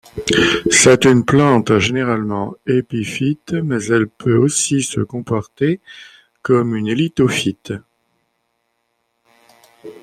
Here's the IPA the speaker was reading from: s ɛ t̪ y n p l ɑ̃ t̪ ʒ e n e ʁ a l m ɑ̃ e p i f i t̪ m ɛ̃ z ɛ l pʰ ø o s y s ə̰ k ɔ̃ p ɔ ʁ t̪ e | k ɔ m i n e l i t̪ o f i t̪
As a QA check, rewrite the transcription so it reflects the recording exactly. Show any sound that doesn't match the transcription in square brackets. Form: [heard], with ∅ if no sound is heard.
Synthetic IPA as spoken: s ɛ t̪ y n p l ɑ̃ t̪ ʒ e n e ʁ a l m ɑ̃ e p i f i t̪ m [ɛ] z ɛ l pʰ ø o s [i] s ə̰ k ɔ̃ p ɔ ʁ t̪ e | k ɔ m [y] n e l i t̪ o f i t̪